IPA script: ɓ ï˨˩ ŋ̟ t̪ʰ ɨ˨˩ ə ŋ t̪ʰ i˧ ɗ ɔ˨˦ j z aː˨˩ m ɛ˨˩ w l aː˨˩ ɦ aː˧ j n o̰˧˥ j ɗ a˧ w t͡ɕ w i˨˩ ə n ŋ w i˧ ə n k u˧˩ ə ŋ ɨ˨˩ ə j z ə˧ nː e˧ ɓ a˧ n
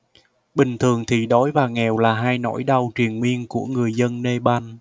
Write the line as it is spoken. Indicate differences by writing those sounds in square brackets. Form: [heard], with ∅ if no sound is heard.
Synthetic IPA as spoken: ɓ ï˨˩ ŋ̟ t̪ʰ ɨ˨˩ ə ŋ t̪ʰ [i˨˩] ɗ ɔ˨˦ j [v] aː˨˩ [ŋ] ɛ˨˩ w l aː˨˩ ɦ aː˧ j n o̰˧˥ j ɗ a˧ w t͡ɕ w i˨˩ ə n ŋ w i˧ ə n k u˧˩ ə ŋ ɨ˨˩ ə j z ə˧ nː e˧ ɓ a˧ n